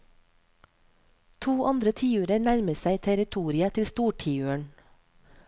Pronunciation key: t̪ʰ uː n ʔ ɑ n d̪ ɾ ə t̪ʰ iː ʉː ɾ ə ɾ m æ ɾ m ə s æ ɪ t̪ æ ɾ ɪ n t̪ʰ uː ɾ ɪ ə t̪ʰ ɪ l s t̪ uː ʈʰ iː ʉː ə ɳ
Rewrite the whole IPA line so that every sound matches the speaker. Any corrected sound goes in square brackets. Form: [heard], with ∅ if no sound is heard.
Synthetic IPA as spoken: t̪ʰ uː [∅] ʔ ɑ n d̪ ɾ ə t̪ʰ iː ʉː ɾ ə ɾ [n] æ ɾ m ə s æ ɪ [t̪ʰ] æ ɾ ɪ [∅] t̪ʰ uː ɾ ɪ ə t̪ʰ ɪ l s t̪ uː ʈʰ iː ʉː ə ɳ